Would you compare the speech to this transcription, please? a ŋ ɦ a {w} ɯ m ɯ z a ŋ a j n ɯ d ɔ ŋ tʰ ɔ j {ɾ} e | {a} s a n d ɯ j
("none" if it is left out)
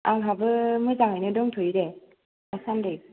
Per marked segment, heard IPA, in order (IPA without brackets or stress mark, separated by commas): b, ɾ, a